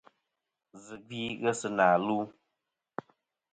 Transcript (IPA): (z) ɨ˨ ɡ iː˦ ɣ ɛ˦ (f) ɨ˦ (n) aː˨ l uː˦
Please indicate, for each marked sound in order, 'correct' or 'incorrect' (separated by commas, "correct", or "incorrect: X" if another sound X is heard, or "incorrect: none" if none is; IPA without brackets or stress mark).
correct, incorrect: s, correct